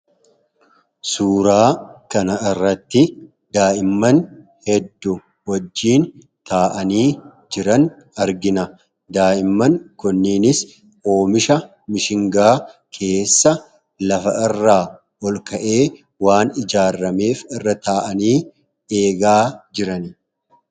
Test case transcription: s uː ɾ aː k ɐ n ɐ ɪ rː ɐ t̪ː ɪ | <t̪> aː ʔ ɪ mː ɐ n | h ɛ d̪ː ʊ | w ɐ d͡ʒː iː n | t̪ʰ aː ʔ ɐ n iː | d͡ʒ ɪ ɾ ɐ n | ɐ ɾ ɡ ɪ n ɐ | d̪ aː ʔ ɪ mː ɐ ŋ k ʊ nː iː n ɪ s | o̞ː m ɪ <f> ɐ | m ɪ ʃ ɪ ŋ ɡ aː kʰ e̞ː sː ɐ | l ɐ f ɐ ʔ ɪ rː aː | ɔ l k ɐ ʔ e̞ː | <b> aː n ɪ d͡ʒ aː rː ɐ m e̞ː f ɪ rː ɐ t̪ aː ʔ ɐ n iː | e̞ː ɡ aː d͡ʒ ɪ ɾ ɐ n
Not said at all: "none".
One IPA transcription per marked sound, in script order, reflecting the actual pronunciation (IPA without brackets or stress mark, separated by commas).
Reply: d̪, ʃ, w